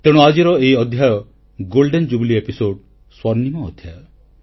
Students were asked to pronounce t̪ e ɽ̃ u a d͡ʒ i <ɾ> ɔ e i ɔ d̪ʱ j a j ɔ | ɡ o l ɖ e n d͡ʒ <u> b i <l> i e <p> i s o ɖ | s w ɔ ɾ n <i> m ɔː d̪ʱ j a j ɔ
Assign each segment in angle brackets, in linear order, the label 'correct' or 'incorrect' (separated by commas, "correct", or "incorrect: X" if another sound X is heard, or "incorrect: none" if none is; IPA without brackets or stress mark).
correct, correct, correct, correct, correct